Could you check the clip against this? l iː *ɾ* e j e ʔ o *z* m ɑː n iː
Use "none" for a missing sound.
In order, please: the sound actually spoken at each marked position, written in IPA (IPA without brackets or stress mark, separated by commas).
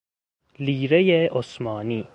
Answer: ɾ, s